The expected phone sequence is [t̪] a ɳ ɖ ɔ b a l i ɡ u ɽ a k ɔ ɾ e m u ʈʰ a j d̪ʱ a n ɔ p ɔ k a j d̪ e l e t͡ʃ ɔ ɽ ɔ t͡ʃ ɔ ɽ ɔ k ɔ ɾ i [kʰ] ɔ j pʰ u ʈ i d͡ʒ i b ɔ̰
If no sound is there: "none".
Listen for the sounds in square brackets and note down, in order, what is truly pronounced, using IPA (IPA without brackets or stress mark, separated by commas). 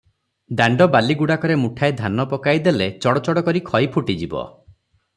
d̪, kʰ